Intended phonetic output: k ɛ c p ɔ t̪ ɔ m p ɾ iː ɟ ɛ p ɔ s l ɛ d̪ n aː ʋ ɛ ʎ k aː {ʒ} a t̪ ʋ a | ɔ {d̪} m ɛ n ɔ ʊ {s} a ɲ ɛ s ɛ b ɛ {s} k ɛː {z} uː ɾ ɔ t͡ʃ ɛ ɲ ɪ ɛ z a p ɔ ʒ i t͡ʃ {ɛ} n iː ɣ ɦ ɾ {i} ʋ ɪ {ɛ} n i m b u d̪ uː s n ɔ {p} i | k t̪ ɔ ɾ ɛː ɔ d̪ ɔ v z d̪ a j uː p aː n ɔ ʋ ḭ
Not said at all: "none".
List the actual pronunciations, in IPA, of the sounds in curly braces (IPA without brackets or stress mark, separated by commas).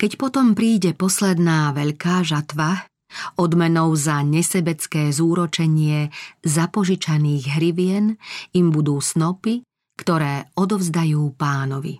ʒ, d̪, z, t͡s, z, a, i, ɛ, p